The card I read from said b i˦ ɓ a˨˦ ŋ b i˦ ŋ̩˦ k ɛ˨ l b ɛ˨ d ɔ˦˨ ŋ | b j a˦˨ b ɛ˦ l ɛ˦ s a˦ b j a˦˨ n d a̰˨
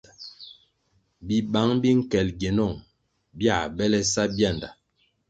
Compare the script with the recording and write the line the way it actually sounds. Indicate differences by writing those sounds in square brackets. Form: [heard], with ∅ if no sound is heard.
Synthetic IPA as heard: b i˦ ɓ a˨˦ ŋ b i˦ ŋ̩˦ k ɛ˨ l [ɡ] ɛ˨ [n] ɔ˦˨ ŋ | b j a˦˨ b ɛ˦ l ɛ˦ s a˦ b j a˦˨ n d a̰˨